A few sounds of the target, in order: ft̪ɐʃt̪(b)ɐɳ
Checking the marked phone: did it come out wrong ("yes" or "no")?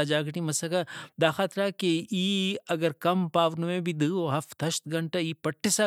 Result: yes